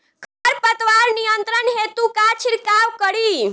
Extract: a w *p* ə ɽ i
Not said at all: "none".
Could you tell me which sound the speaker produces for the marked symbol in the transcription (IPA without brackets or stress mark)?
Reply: k